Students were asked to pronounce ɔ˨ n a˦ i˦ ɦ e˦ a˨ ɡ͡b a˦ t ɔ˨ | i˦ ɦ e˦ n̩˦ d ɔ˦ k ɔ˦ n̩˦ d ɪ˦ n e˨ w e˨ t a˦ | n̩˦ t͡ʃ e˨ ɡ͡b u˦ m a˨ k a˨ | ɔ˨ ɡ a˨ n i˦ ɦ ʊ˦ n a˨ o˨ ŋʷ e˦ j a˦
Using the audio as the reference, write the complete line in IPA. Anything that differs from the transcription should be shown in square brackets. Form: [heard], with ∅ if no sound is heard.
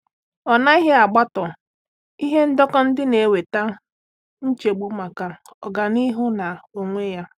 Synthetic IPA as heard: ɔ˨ n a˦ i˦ ɦ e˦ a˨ ɡ͡b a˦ t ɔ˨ | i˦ ɦ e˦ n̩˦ d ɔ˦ k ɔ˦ n̩˦ d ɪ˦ n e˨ w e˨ t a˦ | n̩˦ t͡ʃ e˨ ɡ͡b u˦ m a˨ k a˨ | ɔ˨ ɡ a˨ n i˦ ɦ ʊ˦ n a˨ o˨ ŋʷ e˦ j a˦